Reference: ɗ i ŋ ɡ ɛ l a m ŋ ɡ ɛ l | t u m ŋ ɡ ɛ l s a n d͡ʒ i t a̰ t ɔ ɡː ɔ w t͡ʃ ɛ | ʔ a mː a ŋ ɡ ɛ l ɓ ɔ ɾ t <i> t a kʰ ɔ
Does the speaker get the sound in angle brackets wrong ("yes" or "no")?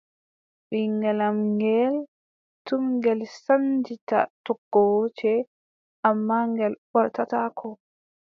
yes